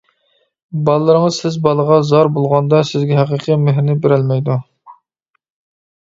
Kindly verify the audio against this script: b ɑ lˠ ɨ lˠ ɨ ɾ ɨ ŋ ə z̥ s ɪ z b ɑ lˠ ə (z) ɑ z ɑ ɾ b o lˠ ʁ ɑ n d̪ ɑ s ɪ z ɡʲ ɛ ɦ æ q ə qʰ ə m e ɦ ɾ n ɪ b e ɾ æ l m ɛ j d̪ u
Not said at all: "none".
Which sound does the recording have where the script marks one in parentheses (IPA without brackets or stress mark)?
ʁ